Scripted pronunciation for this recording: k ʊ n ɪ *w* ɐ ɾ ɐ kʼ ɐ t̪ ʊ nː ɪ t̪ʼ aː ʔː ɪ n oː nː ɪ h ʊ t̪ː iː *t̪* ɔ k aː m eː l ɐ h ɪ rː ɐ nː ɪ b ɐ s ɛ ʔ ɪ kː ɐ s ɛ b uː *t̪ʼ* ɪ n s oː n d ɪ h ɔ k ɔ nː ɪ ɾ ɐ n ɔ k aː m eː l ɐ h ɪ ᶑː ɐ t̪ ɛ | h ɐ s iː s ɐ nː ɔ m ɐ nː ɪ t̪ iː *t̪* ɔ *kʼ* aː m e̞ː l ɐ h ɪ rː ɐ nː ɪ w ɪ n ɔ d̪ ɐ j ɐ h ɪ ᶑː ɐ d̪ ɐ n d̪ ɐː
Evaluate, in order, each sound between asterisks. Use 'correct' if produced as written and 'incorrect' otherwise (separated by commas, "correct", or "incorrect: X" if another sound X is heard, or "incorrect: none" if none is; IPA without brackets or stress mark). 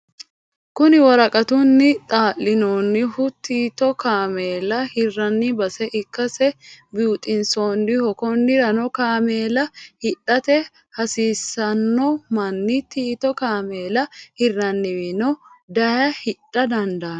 correct, correct, correct, correct, incorrect: k